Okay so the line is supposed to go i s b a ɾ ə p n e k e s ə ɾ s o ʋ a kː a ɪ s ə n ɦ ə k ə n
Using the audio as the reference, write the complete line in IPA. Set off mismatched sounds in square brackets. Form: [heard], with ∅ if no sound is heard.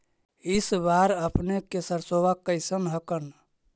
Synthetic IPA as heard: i s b a ɾ ə p n e k e s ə ɾ s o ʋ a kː [ə] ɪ s ə n ɦ ə k ə n